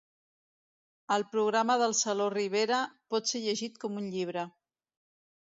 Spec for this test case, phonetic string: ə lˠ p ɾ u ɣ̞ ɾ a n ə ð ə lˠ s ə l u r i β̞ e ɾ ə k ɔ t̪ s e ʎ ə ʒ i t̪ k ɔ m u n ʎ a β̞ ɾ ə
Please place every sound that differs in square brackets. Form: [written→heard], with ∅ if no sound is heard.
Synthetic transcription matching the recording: ə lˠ p ɾ u ɣ̞ ɾ a [n→m] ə ð ə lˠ s ə l [u→o] r i β̞ e ɾ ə [k→p] ɔ t̪ s e ʎ ə ʒ i t̪ k ɔ m u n ʎ [a→i] β̞ ɾ ə